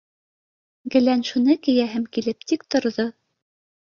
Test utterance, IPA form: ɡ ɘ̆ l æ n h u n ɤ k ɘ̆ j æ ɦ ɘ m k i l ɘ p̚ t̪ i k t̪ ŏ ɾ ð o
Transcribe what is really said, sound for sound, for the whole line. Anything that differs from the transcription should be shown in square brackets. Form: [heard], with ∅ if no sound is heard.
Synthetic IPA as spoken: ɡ ɘ̆ l æ n [ʃ] u n ɤ k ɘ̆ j æ ɦ ɘ m k i l ɘ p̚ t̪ i k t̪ ŏ ɾ ð o